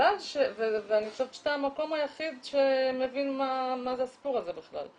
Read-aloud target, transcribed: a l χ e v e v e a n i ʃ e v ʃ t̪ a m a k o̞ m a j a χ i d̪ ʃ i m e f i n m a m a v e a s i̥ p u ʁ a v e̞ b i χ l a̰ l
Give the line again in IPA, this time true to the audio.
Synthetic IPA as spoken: a l ʃ e v e v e a n i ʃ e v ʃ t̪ a m a k o̞ m a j a χ i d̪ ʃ e m e v i n m a m a z e a s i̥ p u ʁ a z e̞ b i χ l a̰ l